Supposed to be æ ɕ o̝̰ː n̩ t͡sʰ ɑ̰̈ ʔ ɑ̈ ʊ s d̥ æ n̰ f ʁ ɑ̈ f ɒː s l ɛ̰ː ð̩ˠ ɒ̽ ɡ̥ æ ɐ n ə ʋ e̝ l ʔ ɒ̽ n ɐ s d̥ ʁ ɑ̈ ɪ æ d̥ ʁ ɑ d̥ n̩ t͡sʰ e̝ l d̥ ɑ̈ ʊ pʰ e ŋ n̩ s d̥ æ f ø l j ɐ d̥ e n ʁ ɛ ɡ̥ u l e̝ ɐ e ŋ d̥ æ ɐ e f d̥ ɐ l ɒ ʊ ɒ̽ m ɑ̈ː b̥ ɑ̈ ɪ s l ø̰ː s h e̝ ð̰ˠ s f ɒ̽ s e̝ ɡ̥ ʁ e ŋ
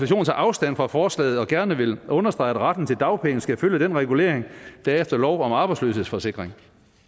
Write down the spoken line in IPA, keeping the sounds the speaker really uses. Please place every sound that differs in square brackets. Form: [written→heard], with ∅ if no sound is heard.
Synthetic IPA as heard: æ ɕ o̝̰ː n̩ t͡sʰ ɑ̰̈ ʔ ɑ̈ ʊ s d̥ æ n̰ f ʁ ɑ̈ f ɒː s l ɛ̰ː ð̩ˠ ɒ̽ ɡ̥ æ ɐ n ə ʋ e̝ l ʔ [ɒ̽→ɔ̽] n ɐ s d̥ ʁ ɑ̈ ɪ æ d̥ ʁ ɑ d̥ n̩ t͡sʰ e̝ l d̥ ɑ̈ ʊ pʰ e ŋ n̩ s [d̥→ɡ̥] æ f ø l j [ɐ→ə] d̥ e n ʁ ɛ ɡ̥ u l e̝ ɐ e ŋ d̥ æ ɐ e f d̥ ɐ l ɒ ʊ ɒ̽ m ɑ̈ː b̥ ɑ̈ ɪ s l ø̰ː s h e̝ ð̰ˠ s f ɒ̽ s e̝ ɡ̥ ʁ e ŋ